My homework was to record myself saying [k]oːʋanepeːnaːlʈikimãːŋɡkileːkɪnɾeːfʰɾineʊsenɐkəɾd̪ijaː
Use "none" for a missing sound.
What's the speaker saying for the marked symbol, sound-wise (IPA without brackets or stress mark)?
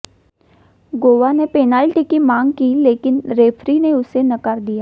ɡ